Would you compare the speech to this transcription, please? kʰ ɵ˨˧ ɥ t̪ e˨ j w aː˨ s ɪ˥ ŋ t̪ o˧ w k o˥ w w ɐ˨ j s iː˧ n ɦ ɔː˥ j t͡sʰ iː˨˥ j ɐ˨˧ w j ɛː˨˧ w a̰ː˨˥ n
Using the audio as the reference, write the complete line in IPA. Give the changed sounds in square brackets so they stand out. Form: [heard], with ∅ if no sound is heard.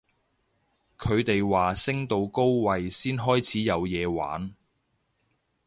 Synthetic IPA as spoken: kʰ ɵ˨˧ ɥ t̪ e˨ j w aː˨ s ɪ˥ ŋ t̪ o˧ w k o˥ w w ɐ˨ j s [iː˥] n ɦ ɔː˥ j t͡sʰ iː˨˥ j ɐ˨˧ w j ɛː˨˧ w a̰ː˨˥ n